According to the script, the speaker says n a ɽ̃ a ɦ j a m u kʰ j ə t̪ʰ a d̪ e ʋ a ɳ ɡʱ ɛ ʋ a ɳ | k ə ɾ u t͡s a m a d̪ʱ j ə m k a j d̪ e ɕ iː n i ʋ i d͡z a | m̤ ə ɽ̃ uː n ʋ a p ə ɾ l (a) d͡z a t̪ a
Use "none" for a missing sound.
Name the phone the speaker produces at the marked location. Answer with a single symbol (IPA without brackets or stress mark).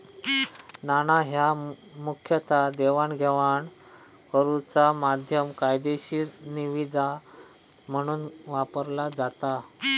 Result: a